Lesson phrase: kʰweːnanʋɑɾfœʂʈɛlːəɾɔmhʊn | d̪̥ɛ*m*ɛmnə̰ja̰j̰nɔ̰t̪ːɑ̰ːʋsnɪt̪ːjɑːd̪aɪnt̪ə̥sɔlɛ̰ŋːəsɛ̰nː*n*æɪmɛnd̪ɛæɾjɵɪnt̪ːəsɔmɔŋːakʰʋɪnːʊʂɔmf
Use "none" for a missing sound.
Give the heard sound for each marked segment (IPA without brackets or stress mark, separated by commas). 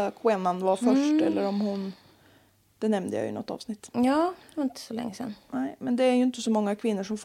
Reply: n, n